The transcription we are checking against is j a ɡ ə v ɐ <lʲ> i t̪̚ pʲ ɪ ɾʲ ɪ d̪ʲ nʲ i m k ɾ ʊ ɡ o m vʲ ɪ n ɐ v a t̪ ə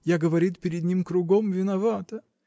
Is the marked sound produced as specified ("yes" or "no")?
no